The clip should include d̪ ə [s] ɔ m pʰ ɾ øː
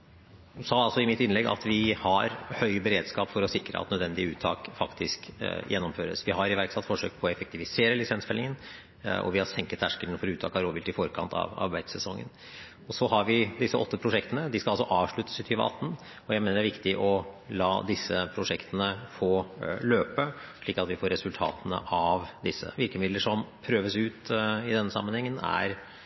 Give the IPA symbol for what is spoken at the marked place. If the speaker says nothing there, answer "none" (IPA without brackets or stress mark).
ʂ